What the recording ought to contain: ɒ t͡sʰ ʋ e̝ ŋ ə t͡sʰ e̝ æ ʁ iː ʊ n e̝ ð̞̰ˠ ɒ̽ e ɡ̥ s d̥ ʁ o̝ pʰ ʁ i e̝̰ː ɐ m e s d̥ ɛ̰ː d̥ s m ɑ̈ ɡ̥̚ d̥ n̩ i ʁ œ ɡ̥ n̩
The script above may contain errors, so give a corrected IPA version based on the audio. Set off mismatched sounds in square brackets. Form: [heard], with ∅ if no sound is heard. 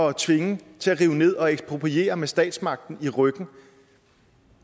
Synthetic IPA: ɒ t͡sʰ ʋ e̝ ŋ ə t͡sʰ e̝ æ ʁ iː ʊ n e̝ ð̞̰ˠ ɒ̽ e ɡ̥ s [b̥] ʁ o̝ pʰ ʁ i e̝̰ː ɐ m e s d̥ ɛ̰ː d̥ s m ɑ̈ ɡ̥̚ d̥ n̩ i ʁ œ ɡ̥ n̩